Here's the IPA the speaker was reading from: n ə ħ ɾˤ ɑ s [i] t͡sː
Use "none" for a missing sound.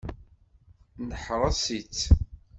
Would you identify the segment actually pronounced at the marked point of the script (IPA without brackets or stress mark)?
i